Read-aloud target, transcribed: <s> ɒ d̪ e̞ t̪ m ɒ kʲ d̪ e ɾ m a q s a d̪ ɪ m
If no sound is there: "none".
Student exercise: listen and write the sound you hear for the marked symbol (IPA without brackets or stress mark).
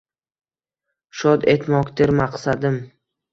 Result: ʃ